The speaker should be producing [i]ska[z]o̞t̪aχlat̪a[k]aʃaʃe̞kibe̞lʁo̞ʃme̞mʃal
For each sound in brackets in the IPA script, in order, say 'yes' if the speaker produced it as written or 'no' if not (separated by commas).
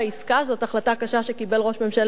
yes, yes, yes